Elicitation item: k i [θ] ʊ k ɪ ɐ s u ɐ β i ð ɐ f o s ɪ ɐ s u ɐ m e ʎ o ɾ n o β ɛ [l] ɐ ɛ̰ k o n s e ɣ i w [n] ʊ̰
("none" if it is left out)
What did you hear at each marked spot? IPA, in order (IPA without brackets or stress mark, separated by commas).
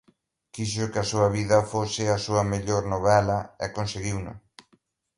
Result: ʃ, l, n